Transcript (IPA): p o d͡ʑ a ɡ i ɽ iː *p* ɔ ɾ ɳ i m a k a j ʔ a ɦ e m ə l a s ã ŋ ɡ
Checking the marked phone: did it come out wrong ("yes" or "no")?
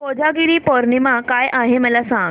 no